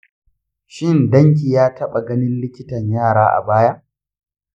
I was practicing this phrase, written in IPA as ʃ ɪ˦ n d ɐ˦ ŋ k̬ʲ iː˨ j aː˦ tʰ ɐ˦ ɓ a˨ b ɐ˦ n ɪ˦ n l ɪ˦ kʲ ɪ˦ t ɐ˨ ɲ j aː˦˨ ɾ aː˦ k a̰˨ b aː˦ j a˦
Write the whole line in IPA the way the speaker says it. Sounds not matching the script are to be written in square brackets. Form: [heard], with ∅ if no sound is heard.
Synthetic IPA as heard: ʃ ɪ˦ n d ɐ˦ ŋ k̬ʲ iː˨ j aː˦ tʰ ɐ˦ ɓ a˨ [ɡ] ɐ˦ n ɪ˦ n l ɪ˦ kʲ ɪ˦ t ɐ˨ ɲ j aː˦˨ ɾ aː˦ [ʔ] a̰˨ b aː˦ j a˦